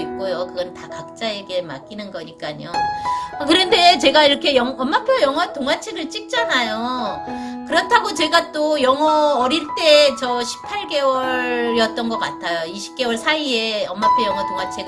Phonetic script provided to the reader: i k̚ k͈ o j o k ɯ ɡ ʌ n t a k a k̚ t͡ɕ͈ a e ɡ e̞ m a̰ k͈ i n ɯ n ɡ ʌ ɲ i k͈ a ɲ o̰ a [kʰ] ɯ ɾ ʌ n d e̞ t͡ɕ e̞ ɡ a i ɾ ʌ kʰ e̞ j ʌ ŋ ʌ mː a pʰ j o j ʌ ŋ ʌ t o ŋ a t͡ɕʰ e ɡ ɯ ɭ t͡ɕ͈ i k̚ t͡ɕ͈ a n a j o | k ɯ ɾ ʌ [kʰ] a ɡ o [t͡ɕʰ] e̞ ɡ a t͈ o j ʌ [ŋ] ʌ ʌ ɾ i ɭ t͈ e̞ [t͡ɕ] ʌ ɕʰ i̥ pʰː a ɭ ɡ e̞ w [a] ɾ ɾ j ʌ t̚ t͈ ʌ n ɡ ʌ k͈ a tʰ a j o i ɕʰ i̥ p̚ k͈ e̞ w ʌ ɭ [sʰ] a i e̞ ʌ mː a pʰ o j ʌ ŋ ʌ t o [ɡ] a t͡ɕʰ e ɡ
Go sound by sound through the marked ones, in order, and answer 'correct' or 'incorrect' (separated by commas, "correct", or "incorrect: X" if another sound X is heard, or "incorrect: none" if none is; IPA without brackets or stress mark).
incorrect: k, incorrect: tʰ, incorrect: t͡ɕ, correct, correct, incorrect: ʌ, correct, incorrect: ŋ